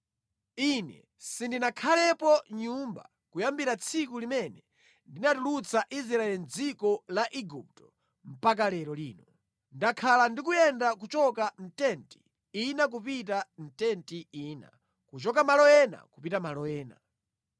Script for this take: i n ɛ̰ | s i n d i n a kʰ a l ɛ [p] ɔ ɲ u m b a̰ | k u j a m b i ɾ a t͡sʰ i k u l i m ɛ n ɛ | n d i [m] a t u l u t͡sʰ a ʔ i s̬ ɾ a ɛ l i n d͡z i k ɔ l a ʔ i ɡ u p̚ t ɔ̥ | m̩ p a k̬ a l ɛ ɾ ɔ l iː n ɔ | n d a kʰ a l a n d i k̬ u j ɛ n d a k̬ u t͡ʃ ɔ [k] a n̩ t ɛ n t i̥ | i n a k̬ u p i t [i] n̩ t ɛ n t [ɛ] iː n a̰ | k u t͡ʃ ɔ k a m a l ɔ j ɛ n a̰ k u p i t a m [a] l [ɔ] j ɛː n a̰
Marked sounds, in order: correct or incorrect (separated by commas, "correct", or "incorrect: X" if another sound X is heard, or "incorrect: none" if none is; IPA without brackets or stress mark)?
correct, incorrect: n, correct, incorrect: a, incorrect: i, correct, correct